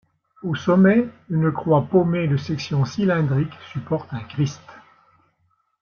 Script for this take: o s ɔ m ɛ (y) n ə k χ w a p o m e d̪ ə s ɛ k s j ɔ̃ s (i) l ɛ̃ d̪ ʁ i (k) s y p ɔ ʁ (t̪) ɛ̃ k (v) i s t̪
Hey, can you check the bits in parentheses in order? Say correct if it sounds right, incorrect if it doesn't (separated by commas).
correct, correct, correct, correct, incorrect